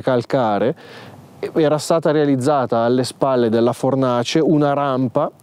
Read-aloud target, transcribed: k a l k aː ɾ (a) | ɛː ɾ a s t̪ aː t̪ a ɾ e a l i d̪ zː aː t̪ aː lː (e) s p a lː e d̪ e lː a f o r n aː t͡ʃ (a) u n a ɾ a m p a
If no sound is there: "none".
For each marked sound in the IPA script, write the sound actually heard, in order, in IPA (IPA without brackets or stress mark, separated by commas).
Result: e, e, e